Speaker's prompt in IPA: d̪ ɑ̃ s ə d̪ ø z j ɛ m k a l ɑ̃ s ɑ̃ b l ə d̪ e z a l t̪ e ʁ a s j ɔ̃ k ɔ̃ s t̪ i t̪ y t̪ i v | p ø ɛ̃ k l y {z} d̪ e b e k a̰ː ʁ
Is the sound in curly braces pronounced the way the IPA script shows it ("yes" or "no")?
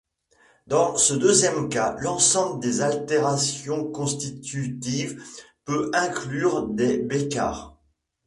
no